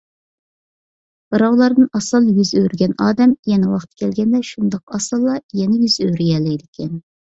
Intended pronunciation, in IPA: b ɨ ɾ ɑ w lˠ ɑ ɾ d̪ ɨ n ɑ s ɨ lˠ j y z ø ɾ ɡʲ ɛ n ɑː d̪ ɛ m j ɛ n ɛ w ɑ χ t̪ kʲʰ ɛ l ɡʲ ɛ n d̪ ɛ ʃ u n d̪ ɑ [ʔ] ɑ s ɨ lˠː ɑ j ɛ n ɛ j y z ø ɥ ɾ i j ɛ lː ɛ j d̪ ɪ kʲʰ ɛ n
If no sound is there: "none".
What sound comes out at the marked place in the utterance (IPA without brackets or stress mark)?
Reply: q